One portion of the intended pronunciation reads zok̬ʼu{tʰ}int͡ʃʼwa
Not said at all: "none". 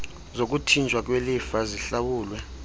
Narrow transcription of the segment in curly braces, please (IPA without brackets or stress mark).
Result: tʰ